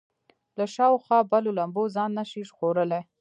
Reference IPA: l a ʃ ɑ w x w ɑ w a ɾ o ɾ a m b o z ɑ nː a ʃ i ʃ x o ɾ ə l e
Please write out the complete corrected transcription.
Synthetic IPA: l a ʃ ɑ w x w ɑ b a l o l a m b o z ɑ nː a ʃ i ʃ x o ɾ ə l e